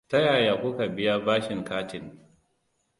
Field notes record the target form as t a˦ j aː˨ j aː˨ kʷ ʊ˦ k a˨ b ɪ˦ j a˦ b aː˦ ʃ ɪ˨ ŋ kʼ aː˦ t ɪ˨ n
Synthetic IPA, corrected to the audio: t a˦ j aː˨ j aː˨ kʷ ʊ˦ k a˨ b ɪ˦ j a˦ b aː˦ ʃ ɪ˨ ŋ k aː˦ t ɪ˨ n